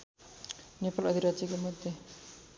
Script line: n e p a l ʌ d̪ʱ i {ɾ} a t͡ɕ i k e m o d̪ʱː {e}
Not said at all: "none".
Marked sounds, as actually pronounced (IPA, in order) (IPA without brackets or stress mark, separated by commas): ɾ, e